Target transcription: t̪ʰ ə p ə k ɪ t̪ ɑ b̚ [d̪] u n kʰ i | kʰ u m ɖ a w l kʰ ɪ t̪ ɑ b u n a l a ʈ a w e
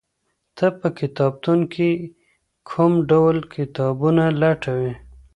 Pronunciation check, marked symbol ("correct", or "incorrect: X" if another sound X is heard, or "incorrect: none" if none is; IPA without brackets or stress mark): incorrect: t̪